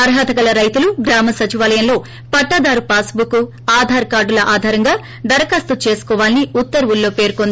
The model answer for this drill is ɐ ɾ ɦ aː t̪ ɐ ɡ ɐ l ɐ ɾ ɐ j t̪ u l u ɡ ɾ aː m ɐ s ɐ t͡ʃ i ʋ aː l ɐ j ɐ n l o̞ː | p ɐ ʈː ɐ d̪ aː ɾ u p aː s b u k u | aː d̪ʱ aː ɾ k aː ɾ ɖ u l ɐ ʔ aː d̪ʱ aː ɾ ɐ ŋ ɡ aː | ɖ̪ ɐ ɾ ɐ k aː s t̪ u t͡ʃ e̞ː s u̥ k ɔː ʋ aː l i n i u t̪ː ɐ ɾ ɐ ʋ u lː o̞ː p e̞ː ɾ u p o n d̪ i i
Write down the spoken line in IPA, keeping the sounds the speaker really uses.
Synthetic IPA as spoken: ɐ ɾ ɦ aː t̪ ɐ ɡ ɐ l ɐ ɾ ɐ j t̪ u l u ɡ ɾ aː m ɐ s ɐ t͡ʃ i ʋ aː l ɐ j ɐ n l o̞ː | p ɐ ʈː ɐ d̪ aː ɾ u p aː s b u k u | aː d̪ʱ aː ɾ k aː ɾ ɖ u l ɐ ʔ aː d̪ʱ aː ɾ ɐ ŋ ɡ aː | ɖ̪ ɐ ɾ ɐ k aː s t̪ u t͡ʃ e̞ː s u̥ k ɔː ʋ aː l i n i u t̪ː ɐ ɾ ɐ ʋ u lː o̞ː p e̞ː ɾ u k o n d̪ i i